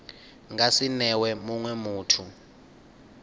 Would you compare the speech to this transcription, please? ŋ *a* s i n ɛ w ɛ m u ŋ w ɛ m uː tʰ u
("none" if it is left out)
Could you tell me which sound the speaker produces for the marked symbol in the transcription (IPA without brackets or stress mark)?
a